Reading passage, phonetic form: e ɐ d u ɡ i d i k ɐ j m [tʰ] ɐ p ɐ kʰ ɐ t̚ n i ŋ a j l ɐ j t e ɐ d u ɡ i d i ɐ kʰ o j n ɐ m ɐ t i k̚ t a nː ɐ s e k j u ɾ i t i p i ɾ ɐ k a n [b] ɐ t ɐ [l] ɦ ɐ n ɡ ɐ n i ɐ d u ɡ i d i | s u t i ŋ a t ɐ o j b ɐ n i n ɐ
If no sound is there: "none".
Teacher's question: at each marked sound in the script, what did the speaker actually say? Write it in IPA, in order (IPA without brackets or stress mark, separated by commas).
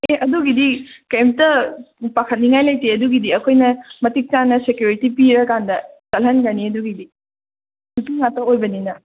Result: t, d, l